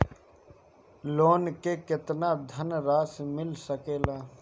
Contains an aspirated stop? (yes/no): no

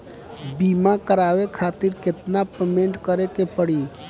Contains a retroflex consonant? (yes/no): yes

